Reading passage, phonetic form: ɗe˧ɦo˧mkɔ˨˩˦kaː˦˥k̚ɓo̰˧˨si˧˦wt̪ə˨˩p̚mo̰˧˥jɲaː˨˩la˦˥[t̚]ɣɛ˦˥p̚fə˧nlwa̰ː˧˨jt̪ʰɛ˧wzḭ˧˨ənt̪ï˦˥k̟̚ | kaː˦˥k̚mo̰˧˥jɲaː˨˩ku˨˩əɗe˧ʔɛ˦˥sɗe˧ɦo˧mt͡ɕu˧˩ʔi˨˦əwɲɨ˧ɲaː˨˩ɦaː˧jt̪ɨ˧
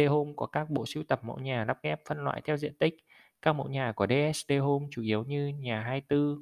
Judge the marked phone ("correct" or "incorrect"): incorrect